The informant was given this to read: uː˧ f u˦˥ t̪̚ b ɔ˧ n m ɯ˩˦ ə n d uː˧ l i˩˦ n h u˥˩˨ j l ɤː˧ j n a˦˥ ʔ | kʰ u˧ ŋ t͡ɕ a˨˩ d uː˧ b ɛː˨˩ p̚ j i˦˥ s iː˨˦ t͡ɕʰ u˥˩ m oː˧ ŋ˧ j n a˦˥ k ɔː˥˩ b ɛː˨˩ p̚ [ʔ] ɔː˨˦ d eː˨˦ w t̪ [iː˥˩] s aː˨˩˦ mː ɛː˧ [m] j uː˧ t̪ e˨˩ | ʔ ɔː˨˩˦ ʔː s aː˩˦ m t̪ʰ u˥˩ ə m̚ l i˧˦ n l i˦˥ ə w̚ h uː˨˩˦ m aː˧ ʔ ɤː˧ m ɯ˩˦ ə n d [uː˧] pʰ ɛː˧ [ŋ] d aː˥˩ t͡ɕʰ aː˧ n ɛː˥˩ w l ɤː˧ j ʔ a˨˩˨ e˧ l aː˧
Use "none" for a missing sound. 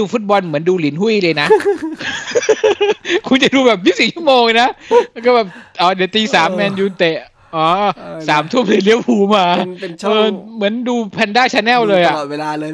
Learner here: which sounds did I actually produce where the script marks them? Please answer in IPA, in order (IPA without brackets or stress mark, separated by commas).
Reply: ʔ, iː˧, n, uː˧, n